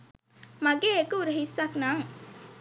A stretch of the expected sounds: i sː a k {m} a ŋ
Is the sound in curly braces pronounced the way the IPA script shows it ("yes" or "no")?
no